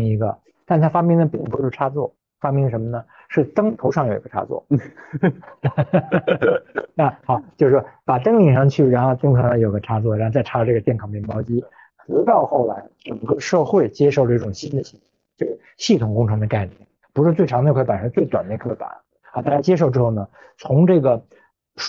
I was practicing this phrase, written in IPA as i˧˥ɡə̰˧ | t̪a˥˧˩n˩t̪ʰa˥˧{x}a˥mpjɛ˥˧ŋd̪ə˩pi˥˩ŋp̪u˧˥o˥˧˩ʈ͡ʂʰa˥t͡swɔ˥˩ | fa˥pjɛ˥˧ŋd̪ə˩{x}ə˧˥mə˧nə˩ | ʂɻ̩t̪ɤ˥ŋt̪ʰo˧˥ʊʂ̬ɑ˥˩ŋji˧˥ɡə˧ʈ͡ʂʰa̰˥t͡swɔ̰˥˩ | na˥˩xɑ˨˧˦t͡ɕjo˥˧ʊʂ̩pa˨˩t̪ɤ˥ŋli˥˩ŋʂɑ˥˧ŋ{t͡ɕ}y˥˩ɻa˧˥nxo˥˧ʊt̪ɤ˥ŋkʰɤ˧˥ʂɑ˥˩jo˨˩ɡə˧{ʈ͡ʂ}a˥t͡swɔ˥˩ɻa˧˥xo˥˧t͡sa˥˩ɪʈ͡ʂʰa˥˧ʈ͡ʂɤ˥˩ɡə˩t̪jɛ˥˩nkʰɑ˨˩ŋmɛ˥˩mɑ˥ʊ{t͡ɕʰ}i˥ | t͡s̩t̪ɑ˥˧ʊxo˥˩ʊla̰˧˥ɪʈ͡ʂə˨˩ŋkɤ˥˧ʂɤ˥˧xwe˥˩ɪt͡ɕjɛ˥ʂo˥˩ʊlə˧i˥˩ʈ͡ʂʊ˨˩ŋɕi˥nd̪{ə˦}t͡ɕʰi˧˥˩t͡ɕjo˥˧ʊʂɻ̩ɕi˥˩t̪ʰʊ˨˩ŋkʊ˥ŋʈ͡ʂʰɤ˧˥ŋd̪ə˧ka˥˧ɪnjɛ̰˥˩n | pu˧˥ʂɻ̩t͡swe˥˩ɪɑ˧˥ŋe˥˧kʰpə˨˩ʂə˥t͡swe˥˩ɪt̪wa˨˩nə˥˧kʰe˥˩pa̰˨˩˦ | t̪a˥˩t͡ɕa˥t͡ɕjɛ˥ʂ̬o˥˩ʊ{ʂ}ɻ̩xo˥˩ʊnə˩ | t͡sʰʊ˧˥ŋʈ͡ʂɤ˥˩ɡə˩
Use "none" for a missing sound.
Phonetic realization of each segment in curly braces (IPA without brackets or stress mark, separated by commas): f, ʂ, t͡ɕʰ, ʈ͡ʂʰ, t͡ɕ, ə˨, ʈ͡ʂ